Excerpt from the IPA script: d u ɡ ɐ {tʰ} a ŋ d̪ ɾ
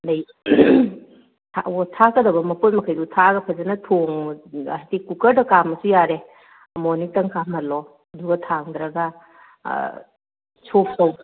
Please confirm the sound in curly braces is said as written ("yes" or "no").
yes